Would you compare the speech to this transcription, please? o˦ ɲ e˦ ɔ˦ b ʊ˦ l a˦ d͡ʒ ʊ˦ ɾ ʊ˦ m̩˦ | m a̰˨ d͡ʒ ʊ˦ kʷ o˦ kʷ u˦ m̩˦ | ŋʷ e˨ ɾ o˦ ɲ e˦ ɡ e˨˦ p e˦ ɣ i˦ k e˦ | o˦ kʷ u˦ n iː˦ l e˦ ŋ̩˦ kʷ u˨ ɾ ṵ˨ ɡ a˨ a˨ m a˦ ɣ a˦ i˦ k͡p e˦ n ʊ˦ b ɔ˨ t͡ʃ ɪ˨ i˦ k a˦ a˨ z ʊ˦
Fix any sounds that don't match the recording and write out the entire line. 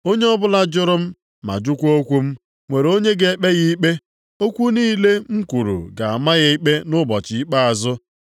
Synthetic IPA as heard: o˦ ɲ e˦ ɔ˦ b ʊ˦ l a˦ d͡ʒ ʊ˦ ɾ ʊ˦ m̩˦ | m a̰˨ d͡ʒ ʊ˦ kʷ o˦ kʷ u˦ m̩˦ | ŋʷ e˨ ɾ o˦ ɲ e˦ ɡ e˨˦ k͡p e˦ ɣ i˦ k͡p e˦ | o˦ kʷ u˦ n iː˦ l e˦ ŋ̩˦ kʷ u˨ ɾ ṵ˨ ɡ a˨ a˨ m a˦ ɣ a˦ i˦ k͡p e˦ n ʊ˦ b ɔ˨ t͡ʃ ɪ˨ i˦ k͡p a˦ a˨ z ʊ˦